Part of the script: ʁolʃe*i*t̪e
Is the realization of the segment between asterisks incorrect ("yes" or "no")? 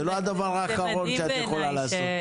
yes